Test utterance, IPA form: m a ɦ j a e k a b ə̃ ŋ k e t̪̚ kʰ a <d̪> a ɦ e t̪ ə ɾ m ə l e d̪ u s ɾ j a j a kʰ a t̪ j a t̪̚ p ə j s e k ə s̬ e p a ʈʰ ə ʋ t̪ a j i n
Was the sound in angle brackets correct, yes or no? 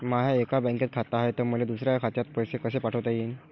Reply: no